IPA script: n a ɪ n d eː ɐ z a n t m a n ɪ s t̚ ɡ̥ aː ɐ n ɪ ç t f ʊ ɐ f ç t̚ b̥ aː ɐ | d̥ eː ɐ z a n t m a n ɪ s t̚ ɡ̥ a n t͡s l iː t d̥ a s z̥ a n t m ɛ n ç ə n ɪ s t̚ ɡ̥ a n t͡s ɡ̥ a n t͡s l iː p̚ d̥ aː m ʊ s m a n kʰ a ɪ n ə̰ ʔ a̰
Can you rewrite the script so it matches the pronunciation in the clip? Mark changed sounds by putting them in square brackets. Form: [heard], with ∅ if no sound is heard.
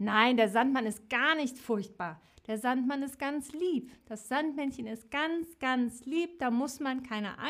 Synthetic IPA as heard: n a ɪ n d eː ɐ z a n t m a n ɪ s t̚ ɡ̥ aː ɐ n ɪ ç t f ʊ ɐ [∅] ç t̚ b̥ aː ɐ | d̥ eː ɐ z a n t m a n ɪ s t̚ ɡ̥ a n t͡s l iː [p] d̥ a s z̥ a n t m ɛ n ç ə n ɪ s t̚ ɡ̥ a n t͡s ɡ̥ a n t͡s l iː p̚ d̥ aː m ʊ s m a n kʰ a ɪ n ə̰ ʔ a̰